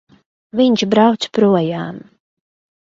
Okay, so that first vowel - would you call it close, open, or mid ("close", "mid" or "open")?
close